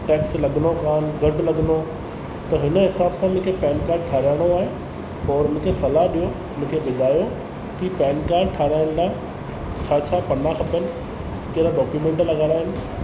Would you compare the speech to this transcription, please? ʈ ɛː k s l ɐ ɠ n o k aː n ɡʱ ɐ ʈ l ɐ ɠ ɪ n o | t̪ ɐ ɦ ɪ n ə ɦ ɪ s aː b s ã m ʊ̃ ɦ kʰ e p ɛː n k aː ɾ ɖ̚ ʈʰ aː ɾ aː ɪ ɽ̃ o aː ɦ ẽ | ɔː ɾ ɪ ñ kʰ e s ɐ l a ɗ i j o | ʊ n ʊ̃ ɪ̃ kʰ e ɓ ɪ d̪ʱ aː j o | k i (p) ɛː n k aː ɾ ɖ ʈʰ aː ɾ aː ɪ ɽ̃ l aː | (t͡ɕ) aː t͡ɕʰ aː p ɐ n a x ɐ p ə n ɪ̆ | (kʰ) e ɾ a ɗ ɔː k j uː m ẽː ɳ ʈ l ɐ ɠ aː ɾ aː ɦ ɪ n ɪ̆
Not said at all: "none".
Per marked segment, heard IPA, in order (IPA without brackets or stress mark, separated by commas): p, t͡ɕʰ, k